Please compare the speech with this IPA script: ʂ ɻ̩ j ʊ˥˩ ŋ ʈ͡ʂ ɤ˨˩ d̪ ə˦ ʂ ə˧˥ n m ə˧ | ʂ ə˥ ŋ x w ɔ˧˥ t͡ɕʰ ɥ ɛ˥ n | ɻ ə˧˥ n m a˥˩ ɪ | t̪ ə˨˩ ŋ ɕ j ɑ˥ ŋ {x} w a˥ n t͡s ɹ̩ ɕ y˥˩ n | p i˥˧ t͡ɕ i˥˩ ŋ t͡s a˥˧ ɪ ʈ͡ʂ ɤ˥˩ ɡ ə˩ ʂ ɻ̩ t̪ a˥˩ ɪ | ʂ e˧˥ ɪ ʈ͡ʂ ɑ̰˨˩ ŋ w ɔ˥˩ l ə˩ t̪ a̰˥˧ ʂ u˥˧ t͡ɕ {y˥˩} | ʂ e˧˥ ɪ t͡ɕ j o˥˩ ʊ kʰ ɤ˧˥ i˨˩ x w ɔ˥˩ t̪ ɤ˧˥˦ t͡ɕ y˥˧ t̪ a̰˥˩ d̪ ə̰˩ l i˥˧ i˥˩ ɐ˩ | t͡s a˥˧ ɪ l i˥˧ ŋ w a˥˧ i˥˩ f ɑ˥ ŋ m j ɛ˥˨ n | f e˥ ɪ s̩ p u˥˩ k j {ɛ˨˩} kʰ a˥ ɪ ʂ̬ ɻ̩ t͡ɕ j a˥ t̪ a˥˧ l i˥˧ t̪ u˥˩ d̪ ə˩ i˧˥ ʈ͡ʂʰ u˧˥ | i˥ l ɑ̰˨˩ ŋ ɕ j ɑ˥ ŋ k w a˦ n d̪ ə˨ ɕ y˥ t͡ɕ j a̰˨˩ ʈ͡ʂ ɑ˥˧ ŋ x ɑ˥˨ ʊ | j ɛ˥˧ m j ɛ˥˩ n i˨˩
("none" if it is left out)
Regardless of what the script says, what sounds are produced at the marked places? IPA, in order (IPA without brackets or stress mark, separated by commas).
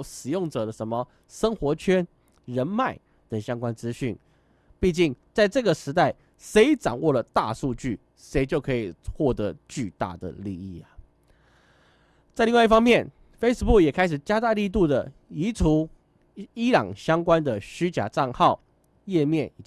k, y˥˩, ɛ˨˩